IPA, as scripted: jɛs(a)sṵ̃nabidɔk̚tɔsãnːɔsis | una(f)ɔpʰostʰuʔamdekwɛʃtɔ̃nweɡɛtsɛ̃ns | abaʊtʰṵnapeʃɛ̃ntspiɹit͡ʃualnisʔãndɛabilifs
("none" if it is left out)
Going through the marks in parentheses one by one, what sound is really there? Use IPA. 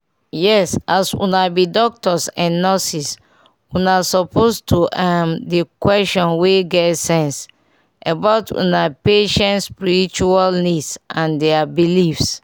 a, s

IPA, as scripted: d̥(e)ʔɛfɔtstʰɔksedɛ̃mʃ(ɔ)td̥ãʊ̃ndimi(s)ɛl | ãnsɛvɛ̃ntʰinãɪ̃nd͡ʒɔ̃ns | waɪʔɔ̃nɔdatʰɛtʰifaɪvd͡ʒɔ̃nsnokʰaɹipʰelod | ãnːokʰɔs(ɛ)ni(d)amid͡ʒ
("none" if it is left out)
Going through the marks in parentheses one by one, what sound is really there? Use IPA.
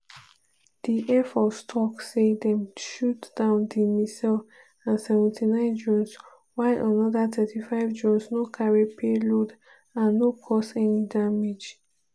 i, u, s, ɛ, d

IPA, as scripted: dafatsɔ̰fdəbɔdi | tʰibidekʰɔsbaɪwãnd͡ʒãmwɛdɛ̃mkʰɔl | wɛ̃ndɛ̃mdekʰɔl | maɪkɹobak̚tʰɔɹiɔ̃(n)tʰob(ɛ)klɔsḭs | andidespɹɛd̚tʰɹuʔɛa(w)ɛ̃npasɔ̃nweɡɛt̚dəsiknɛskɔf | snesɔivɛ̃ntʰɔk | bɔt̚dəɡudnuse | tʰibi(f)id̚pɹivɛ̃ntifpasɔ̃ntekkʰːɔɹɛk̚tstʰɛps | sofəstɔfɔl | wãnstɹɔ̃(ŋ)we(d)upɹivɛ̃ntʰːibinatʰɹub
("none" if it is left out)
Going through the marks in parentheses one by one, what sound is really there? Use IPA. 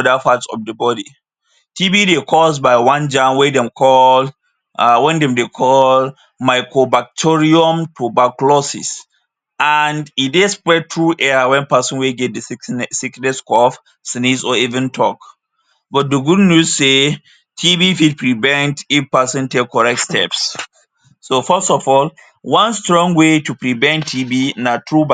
m, a, w, f, ŋ, t

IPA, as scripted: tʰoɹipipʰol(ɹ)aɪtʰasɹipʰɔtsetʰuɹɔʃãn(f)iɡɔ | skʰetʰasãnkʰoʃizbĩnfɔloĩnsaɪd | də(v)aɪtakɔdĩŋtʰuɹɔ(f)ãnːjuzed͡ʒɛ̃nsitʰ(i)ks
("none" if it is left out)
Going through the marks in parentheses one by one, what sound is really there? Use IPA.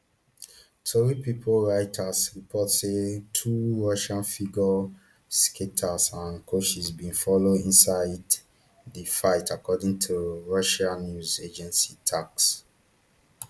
ɹ, f, f, ʃ, a

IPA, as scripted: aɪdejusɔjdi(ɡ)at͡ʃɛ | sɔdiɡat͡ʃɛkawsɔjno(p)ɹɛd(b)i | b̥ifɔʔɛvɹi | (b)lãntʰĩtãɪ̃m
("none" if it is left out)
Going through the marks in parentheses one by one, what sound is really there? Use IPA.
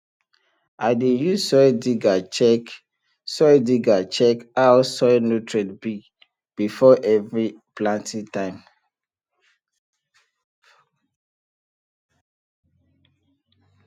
ɡ, t, b, p

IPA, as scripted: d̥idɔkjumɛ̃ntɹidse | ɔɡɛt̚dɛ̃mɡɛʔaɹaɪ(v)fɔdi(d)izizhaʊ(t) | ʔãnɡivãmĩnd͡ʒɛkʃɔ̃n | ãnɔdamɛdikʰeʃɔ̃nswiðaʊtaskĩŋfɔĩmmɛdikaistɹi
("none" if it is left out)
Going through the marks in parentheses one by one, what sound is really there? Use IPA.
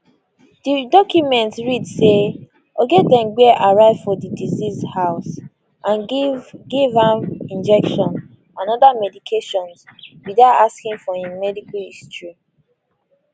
v, d, s

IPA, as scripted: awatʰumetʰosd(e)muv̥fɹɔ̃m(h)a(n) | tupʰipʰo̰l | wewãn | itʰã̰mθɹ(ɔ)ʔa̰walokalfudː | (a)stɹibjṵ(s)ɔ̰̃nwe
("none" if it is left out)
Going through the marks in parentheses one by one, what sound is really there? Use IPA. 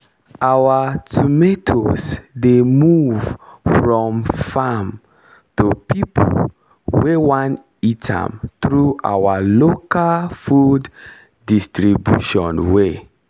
e, f, m, u, i, ʃ

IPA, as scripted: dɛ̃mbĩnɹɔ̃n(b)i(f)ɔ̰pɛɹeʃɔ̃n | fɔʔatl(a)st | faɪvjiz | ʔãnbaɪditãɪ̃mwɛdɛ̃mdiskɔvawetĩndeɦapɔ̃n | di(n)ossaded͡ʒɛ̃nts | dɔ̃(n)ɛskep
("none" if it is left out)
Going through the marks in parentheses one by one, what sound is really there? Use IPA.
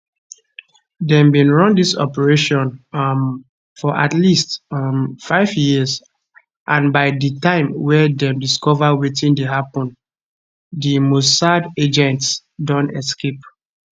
d, s, i, m, n

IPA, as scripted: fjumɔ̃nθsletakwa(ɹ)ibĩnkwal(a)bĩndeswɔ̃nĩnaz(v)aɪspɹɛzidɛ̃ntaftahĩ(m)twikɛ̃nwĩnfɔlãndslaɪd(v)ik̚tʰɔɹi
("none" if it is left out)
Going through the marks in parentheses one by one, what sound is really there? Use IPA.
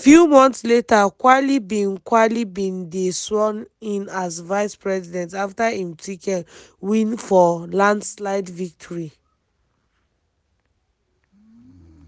l, i, v, m, v

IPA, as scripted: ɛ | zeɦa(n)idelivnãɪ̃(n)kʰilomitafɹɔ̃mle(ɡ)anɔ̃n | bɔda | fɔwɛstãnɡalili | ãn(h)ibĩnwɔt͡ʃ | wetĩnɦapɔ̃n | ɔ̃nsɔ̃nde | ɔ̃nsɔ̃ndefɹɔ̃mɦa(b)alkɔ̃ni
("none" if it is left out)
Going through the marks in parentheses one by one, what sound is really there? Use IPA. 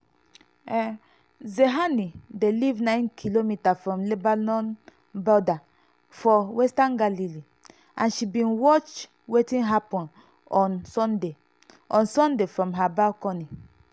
n, n, b, ʃ, b

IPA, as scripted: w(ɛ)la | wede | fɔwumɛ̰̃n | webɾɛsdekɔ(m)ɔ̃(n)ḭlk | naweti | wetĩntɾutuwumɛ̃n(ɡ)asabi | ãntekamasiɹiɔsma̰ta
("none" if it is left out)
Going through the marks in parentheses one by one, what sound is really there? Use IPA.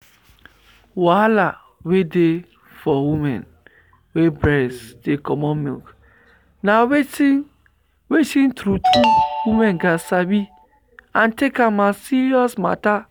a, m, m, ɡ

